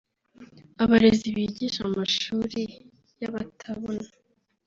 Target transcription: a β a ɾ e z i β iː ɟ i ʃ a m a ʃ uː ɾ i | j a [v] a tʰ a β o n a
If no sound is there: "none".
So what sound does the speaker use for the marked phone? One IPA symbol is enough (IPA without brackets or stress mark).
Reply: β